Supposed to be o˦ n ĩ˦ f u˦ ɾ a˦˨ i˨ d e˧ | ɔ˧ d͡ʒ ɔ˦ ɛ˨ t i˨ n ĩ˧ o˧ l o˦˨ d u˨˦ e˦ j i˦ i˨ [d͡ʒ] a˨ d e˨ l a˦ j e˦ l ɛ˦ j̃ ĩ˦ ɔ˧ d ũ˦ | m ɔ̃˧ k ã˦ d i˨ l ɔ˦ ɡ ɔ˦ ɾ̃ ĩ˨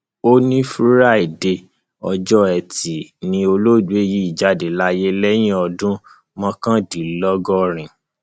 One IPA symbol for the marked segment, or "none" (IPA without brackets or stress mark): d͡ʒ